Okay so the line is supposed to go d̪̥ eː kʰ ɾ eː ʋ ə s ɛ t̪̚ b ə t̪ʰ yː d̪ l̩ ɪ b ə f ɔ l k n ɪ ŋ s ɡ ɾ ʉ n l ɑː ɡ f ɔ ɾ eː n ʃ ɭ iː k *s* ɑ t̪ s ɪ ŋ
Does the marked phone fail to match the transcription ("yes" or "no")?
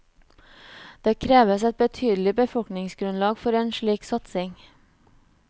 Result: no